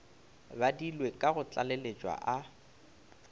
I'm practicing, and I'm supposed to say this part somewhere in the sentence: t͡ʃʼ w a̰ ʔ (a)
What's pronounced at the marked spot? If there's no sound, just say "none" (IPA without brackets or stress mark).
a